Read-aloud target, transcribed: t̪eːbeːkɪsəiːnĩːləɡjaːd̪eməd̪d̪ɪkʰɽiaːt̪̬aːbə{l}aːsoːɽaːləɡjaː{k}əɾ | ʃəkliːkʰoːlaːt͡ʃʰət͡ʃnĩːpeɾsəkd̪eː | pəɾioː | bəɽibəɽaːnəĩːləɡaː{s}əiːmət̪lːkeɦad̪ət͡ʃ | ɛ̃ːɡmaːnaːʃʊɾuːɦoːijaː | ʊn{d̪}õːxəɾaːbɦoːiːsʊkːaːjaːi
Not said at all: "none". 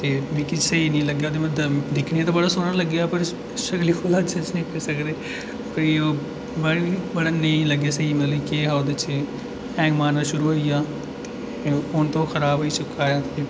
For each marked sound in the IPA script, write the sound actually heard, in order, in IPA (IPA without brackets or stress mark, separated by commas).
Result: ɽ, p, s, t̪